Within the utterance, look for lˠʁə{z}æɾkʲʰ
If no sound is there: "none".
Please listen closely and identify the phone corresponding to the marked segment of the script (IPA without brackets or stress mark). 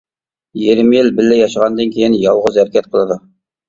z